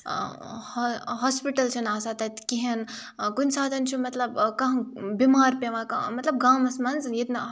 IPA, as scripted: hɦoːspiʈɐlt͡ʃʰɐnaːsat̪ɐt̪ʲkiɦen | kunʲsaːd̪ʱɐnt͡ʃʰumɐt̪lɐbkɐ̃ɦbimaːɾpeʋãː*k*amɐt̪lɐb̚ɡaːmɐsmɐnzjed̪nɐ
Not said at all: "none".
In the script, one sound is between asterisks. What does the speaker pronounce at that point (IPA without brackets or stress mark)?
k